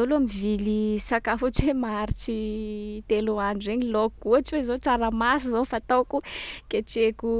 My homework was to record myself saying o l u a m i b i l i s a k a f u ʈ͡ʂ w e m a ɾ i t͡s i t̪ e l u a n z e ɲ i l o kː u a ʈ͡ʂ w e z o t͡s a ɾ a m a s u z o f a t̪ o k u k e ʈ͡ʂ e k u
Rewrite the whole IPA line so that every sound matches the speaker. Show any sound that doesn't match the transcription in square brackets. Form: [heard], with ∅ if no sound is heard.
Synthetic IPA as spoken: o l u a m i [v] i l i s a k a f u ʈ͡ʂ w e m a ɾ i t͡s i t̪ e l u a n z e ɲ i l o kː u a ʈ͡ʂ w e z o t͡s a ɾ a m a s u z o f a t̪ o k u k e ʈ͡ʂ e k u